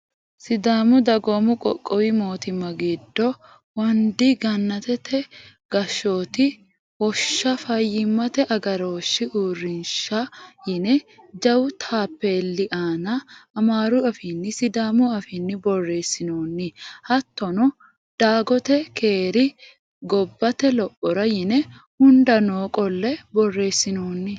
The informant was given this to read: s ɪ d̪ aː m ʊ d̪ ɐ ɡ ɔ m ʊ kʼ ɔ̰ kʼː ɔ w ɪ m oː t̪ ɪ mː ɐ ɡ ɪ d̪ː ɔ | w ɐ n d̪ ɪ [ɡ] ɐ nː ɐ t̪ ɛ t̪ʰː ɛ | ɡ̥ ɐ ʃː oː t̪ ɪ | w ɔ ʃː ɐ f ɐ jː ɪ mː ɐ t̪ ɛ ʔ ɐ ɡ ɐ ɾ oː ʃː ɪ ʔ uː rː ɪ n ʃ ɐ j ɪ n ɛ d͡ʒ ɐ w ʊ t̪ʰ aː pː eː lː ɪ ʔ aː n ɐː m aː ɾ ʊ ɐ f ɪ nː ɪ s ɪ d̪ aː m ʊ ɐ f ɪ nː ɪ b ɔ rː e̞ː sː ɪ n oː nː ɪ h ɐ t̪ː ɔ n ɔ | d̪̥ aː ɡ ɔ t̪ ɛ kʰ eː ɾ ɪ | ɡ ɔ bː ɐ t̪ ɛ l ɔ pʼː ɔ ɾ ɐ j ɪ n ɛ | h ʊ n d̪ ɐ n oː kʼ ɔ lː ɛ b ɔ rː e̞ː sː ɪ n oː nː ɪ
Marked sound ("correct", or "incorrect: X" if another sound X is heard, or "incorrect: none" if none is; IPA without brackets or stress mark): correct